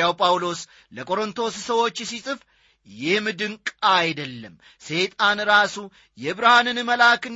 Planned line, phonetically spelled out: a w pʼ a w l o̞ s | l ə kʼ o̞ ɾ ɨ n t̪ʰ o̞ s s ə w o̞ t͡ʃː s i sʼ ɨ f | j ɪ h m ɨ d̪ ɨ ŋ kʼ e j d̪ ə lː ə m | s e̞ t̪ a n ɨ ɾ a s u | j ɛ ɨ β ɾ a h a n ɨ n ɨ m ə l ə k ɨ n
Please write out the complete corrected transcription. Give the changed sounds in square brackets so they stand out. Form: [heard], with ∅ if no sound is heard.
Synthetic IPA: a w pʼ a w l o̞ s | l ə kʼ o̞ ɾ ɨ n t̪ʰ o̞ s s ə w o̞ t͡ʃː s i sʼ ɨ f | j ɪ h m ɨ d̪ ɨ ŋ kʼ [a] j d̪ ə lː ə m | s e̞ [t̪ʼ] a n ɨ ɾ a s u | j ɛ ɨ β ɾ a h a n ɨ n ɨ m ə l [a] k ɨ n